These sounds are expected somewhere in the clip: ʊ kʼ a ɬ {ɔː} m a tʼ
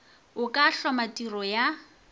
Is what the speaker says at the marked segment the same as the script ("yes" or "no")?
no